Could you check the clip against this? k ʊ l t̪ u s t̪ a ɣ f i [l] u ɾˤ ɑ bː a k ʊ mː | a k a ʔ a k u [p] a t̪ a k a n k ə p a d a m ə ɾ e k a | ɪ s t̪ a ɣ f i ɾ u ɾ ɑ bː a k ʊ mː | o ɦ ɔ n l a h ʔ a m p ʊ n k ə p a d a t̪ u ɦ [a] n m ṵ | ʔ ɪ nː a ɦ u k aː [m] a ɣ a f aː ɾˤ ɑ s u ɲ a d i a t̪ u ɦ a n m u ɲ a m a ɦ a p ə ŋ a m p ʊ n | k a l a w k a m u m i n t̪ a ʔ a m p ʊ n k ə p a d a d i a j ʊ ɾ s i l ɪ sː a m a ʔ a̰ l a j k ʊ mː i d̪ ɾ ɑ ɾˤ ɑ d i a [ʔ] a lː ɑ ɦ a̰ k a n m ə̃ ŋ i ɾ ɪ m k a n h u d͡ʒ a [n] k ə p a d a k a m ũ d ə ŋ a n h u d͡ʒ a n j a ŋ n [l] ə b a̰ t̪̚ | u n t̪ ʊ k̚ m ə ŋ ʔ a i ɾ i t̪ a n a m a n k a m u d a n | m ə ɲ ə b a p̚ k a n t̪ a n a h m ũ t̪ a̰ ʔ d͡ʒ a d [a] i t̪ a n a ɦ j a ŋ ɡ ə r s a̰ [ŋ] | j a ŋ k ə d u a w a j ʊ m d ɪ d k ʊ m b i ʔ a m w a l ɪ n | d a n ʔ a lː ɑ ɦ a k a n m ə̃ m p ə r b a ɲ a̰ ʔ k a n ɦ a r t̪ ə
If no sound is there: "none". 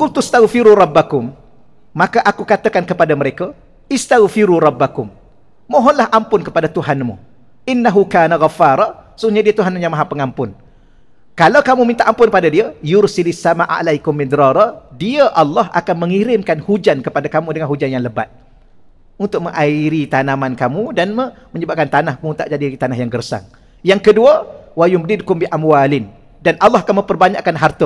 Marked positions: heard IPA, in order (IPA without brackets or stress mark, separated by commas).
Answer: ɾ, k, a, n, ʔ, n, l, i, ŋ